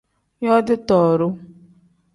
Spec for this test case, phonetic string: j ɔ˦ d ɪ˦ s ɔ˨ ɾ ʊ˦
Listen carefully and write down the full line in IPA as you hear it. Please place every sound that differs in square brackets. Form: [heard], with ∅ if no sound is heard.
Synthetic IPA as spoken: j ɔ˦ d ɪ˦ [t] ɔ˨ ɾ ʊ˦